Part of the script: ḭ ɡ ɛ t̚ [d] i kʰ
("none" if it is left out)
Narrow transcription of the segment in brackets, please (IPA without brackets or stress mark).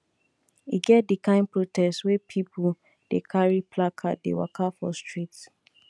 d